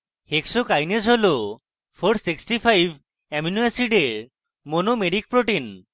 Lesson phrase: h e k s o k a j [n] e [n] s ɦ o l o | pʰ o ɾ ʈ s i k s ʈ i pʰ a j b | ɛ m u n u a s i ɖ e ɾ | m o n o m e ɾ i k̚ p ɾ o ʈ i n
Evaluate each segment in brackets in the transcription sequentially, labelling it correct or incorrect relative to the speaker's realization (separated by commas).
correct, incorrect